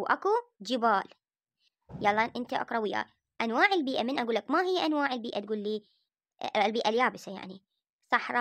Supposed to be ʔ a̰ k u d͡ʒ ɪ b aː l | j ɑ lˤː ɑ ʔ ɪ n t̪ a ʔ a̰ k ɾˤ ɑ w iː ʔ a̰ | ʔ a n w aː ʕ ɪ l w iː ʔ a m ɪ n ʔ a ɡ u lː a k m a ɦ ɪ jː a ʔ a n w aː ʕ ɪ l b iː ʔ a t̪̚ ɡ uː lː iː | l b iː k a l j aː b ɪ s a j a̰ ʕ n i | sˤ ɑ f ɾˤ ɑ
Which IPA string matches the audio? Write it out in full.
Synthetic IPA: ʔ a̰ k u d͡ʒ ɪ b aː l | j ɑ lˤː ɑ ʔ ɪ n t̪ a ʔ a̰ k ɾˤ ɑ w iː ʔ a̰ | ʔ a n w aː ʕ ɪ l b iː ʔ a m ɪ n ʔ a ɡ uː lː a k m a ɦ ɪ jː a ʔ a n w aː ʕ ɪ l b iː ʔ a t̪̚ ɡ uː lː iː | l b iː ʔ a l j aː b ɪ s a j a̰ ʕ n i | sˤ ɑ ħ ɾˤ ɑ